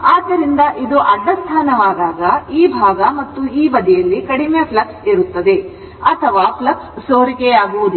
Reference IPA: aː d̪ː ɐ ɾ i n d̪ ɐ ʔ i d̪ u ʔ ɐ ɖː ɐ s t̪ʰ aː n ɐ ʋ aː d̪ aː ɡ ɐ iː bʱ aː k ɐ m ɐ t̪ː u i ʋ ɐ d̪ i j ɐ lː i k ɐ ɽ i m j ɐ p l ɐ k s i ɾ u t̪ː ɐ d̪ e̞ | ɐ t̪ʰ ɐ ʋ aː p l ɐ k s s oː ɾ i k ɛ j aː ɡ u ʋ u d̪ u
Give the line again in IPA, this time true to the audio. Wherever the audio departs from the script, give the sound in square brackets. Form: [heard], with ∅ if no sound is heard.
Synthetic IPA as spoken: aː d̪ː ɐ ɾ i n d̪ ɐ ʔ i d̪ u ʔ ɐ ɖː ɐ s t̪ʰ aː n ɐ ʋ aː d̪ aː ɡ ɐ iː bʱ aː [ɡ] ɐ m ɐ t̪ː u [iː] ʋ ɐ d̪ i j ɐ lː i k ɐ ɽ i m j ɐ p l ɐ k s i ɾ u t̪ː ɐ d̪ e̞ | ɐ t̪ʰ ɐ ʋ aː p l ɐ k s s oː ɾ i k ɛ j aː ɡ u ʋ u d̪ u